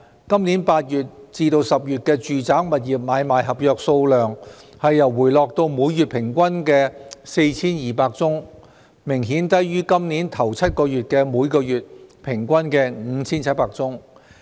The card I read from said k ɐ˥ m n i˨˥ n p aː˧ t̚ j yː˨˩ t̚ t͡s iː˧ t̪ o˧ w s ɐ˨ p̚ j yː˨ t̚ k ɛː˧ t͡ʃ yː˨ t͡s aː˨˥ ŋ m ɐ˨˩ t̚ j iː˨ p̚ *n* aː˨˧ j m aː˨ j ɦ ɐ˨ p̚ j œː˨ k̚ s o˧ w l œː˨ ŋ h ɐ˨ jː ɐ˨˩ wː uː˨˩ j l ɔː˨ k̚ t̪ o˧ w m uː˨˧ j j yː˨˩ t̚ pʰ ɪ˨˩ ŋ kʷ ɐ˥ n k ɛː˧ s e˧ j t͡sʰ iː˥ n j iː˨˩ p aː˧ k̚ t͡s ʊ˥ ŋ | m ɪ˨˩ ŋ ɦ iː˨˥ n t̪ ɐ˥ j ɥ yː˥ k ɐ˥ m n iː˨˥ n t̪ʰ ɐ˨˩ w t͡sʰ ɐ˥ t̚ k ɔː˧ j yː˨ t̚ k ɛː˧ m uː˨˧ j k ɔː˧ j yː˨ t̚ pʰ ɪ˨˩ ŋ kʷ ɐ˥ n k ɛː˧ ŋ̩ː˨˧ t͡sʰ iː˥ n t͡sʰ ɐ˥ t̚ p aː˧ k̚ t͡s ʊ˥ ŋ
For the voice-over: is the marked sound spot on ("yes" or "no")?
no